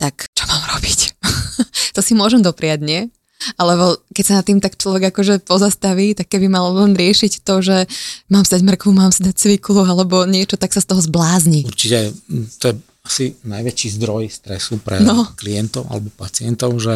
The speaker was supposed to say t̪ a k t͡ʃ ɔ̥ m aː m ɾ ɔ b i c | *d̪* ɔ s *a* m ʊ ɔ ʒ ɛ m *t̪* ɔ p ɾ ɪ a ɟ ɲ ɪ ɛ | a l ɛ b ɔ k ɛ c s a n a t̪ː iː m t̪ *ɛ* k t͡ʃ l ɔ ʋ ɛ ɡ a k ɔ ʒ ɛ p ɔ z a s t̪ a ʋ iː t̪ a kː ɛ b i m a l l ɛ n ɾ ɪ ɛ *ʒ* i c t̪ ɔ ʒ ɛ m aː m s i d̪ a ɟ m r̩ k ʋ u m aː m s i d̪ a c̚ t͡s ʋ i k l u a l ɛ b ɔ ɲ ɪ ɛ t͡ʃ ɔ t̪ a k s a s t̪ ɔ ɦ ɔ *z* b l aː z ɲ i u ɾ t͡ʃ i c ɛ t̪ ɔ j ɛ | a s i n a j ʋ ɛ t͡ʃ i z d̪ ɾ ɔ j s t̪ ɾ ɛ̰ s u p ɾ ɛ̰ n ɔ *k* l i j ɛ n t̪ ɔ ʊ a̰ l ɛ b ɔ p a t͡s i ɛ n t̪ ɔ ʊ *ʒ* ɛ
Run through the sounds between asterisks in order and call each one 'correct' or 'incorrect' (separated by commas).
incorrect, incorrect, incorrect, incorrect, incorrect, correct, correct, correct